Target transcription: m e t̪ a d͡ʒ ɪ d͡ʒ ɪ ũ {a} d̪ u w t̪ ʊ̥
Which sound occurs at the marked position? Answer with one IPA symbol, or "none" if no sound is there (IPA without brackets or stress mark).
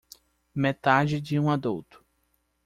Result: a